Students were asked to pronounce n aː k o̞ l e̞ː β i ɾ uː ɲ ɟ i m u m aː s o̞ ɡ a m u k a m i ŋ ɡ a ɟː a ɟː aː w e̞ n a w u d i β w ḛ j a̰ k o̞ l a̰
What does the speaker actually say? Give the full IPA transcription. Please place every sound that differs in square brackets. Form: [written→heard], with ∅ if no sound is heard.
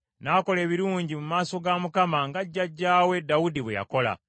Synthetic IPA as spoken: n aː k o̞ l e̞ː β i ɾ uː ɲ ɟ i m u m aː s o̞ ɡ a m u k a m [i→a] ŋ ɡ a ɟː a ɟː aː w e̞ [n→d] a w u d i β w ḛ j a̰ k o̞ l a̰

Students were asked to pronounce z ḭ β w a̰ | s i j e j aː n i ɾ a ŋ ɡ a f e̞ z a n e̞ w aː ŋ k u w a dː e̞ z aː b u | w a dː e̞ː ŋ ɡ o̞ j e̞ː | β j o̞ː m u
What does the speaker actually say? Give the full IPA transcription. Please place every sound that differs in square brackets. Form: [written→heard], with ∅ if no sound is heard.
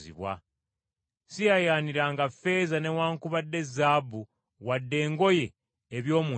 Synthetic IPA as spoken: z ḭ β w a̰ | s i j [e→a] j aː n i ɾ a ŋ ɡ a f e̞ z a n e̞ w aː ŋ k u [w→β] a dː e̞ z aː b u | w a dː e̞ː ŋ ɡ o̞ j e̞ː | β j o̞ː m u

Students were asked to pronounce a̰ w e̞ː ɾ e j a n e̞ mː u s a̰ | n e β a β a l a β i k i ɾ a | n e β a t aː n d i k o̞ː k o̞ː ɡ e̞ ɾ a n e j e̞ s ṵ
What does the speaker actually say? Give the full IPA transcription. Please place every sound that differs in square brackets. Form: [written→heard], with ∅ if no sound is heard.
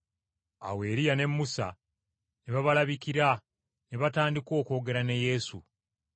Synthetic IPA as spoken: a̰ w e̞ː ɾ [e→i] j a n e̞ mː u s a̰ | n e β a β a l a β i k i ɾ a | n e β a t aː n d i k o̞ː k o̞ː ɡ e̞ ɾ a n e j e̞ s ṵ

